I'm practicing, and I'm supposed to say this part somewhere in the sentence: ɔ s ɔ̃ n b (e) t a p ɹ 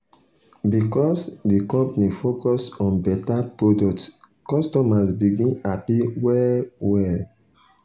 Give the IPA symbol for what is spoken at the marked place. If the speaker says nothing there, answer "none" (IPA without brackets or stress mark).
ɛ